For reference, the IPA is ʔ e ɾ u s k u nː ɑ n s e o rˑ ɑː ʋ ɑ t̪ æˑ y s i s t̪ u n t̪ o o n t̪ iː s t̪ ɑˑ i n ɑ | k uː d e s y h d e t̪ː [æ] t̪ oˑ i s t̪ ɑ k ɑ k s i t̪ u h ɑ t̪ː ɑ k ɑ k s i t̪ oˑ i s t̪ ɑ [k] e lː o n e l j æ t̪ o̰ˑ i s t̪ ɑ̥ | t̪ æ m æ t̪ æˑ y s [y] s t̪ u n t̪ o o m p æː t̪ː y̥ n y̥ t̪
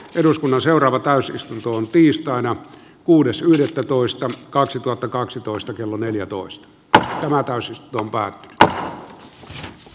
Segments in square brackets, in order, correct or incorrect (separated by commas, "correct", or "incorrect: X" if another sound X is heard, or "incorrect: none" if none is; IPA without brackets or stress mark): correct, correct, incorrect: i